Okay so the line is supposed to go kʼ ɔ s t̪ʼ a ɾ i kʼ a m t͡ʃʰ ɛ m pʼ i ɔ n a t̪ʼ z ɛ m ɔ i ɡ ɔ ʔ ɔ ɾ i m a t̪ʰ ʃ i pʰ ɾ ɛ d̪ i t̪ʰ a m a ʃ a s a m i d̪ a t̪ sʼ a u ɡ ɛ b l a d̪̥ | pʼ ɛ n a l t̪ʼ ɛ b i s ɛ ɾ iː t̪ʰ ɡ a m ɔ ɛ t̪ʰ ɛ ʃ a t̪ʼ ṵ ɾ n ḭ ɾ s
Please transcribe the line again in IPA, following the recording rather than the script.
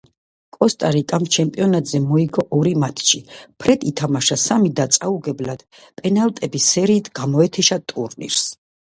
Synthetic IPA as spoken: kʼ ɔ s t̪ʼ a ɾ i kʼ a m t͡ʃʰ ɛ m pʼ i ɔ n a t̪ʼ z ɛ m ɔ i ɡ ɔ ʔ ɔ ɾ i m a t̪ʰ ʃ i pʰ ɾ ɛ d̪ i t̪ʰ a m a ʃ a s a m i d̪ a t̪ sʼ a u ɡ ɛ b l a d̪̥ | pʼ ɛ n a l t̪ʼ ɛ b i s ɛ ɾ iː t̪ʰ ɡ a m ɔ ɛ t̪ʰ ɛ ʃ a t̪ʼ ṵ ɾ n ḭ ɾ s